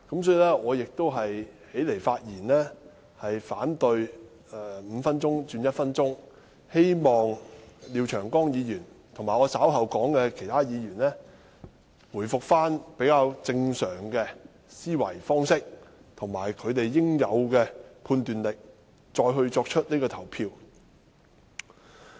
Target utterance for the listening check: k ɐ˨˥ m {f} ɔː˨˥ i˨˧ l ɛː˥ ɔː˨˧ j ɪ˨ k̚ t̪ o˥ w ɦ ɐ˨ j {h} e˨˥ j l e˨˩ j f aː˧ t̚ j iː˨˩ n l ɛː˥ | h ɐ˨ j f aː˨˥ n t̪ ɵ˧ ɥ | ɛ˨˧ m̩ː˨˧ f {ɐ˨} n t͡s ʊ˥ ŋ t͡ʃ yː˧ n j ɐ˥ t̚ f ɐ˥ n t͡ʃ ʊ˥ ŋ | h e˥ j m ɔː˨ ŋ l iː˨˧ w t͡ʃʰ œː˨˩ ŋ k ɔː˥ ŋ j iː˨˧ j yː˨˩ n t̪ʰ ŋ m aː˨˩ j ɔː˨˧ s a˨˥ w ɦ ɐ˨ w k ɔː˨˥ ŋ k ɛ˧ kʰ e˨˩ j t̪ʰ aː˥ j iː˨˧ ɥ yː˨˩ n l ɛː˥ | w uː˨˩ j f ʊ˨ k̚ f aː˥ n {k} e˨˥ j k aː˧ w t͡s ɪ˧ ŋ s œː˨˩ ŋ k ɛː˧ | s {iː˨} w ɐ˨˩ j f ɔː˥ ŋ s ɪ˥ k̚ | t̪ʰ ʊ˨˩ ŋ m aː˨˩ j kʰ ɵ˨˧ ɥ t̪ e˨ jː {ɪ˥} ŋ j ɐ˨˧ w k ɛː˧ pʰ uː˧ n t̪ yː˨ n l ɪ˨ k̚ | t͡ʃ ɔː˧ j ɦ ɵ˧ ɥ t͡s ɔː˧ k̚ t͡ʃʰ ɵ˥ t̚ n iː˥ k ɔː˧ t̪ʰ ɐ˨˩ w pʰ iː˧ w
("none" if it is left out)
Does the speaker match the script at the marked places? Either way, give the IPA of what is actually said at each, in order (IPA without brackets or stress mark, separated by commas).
s, h, ɐ˥, p, iː˥, ɪ˥